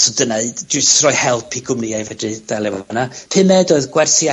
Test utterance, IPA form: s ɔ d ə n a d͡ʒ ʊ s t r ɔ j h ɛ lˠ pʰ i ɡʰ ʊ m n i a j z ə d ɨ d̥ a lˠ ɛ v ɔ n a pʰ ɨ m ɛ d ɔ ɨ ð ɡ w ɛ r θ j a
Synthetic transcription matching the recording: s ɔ d ə n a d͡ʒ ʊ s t r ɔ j h ɛ lˠ pʰ i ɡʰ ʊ m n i a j v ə d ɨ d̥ a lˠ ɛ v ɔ n a pʰ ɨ m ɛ d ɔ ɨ ð ɡ w ɛ r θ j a